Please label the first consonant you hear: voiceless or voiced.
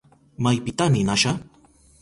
voiced